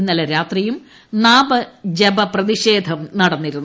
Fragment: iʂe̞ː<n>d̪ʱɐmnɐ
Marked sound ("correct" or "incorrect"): incorrect